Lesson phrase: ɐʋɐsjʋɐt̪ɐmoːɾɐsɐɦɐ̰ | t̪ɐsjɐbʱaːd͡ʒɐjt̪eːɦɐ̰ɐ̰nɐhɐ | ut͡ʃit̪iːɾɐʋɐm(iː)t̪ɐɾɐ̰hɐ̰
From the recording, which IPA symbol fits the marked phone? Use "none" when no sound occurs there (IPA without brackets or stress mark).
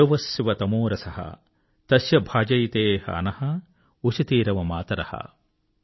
aː